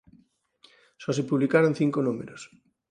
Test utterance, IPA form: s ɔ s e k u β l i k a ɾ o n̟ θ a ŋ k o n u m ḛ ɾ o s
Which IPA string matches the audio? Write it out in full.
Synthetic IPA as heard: s ɔ s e p u β l i k a ɾ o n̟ θ i ŋ k o n u m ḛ ɾ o s

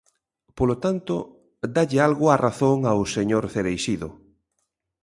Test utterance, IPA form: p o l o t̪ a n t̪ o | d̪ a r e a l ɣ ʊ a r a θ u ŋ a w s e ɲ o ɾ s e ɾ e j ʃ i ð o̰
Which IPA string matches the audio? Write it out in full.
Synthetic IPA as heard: p o l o t̪ a n t̪ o | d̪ a ʎ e a l ɣ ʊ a r a θ o ŋ a w s e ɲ o ɾ θ e ɾ e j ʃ i ð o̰

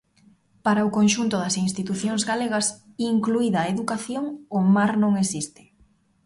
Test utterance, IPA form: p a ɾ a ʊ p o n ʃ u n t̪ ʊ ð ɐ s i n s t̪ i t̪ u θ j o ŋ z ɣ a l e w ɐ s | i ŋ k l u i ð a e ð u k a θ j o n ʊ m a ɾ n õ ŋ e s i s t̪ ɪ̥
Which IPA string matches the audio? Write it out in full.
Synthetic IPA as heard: p a ɾ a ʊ k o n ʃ u n t̪ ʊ ð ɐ s i n s t̪ i t̪ u θ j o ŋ z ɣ a l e ɣ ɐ s | i ŋ k l u i ð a e ð u k a θ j o ŋ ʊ m a ɾ n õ ŋ e s i s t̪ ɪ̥

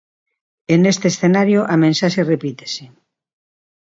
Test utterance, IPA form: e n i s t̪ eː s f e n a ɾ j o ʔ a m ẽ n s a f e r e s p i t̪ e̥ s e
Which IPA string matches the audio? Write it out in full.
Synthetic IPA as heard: e n e s t̪ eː s θ e n a ɾ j o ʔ a m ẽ n s a ʃ e r e p i t̪ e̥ s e

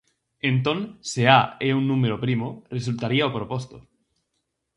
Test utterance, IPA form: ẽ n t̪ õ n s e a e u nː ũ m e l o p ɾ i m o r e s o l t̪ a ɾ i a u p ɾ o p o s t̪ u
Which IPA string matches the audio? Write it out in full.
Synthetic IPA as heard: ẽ n t̪ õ n s e a e u nː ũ m e ɾ o p ɾ i m o r e s u l t̪ a ɾ i a o p ɾ o p o s t̪ o

